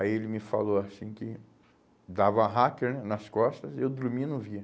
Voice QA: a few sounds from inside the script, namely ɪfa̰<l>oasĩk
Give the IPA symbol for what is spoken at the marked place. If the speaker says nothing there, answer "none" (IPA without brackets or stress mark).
l